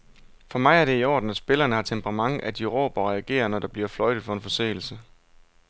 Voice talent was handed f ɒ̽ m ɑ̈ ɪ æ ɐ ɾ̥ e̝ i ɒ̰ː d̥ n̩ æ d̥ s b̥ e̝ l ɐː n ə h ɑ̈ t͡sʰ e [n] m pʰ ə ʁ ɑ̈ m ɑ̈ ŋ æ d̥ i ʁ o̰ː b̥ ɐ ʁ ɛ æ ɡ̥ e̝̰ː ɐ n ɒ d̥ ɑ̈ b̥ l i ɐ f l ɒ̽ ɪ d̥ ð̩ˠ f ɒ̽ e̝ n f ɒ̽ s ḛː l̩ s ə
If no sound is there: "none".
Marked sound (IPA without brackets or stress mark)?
none